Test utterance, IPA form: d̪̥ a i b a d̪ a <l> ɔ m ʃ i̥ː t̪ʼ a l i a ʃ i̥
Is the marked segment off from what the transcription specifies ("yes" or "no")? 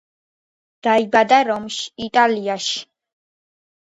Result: yes